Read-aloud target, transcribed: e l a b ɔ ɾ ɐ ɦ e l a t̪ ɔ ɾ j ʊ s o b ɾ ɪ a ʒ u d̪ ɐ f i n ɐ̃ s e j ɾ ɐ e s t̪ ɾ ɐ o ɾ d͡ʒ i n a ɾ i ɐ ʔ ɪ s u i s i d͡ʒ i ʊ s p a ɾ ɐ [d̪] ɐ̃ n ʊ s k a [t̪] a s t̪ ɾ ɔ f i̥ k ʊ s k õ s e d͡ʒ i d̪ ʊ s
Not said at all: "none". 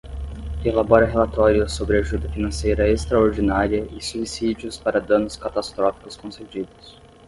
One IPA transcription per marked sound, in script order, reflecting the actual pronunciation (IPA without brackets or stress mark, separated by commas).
d̪, t̪